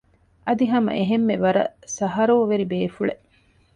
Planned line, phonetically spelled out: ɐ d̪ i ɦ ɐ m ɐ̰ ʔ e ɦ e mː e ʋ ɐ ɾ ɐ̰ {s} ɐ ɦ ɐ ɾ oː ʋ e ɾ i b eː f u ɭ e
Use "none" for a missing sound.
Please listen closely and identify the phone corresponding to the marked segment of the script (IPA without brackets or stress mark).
s